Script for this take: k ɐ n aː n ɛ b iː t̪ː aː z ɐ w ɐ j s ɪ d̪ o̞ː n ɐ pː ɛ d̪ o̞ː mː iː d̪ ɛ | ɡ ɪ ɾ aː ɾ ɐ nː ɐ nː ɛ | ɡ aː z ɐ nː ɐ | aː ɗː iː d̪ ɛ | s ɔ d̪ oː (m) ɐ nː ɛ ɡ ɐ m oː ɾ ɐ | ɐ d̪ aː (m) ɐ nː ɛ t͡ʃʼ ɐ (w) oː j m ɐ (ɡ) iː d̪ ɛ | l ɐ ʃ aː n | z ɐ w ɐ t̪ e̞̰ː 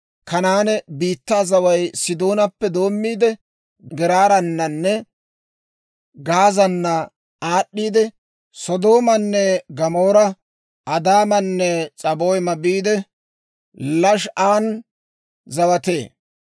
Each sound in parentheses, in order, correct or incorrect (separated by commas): correct, correct, incorrect, incorrect